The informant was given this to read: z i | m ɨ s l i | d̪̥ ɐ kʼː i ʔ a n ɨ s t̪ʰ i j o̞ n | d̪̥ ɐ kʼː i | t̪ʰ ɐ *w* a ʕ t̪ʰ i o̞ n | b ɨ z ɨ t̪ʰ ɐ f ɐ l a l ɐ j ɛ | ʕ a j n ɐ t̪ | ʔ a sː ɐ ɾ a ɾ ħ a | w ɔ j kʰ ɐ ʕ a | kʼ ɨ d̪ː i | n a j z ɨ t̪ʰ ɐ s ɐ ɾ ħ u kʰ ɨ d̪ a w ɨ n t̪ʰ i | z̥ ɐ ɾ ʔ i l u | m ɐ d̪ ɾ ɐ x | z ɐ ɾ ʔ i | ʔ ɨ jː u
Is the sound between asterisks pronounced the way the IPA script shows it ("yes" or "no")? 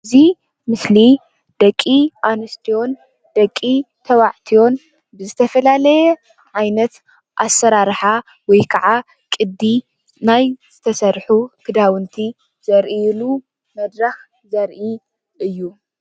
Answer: yes